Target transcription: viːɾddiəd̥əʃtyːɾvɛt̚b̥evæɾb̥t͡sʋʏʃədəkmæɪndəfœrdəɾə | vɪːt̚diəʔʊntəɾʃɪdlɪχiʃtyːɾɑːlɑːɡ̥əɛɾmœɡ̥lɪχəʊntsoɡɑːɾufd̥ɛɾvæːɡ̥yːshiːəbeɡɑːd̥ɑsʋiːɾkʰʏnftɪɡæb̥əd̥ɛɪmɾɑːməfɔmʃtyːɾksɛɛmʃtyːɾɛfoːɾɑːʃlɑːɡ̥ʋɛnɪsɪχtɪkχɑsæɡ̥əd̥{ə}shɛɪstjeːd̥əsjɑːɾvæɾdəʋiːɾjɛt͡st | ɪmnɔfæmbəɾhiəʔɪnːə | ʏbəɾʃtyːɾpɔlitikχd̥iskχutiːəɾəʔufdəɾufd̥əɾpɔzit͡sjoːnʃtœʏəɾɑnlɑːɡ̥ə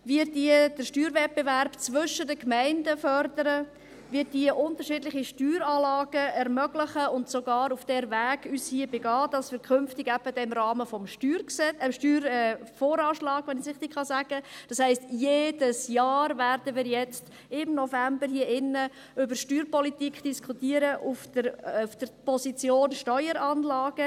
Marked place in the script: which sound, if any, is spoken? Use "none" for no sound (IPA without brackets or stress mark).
ɑ